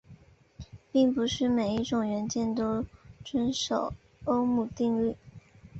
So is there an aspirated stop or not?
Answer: no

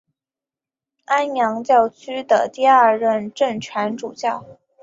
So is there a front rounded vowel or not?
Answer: yes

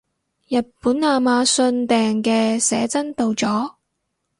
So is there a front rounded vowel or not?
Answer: no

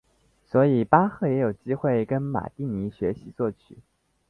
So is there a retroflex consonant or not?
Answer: no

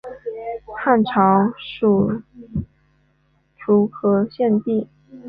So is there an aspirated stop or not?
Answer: yes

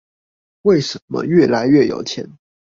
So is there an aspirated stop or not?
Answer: yes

